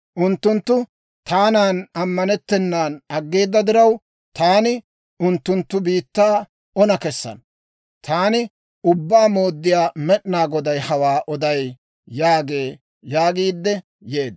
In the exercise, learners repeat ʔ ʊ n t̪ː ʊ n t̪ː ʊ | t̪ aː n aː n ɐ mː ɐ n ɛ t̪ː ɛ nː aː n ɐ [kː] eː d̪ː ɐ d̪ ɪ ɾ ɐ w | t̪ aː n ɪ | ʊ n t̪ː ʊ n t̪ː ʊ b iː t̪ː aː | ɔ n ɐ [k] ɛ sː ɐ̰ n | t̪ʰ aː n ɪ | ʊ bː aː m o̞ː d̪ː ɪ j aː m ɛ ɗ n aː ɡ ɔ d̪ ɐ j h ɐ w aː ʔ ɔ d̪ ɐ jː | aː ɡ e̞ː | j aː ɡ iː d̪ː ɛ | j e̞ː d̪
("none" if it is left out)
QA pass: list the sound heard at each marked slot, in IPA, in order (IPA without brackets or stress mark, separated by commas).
ɡː, k